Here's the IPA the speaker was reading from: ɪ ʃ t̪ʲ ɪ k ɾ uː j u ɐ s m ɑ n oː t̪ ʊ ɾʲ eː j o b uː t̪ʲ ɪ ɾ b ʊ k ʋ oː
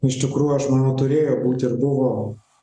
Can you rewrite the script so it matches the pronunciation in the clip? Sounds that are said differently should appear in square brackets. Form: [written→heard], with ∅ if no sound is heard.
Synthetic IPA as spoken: ɪ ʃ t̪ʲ ɪ k ɾ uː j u ɐ [s→ʃ] m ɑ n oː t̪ ʊ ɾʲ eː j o b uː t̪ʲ ɪ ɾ b ʊ [k→∅] ʋ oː